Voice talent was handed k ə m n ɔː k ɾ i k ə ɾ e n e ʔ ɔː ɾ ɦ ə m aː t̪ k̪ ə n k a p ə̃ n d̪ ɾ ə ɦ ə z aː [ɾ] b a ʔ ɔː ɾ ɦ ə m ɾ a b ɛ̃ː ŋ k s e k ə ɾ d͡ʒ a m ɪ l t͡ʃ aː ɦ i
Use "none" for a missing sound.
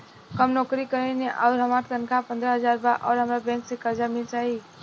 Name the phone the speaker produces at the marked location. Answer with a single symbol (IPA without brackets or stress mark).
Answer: ɾ